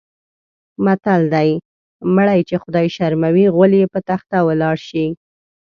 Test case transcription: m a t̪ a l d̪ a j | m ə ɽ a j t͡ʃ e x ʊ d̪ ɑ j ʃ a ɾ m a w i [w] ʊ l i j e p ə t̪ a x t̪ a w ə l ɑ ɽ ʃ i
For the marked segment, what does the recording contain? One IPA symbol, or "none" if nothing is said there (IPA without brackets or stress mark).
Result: ɣ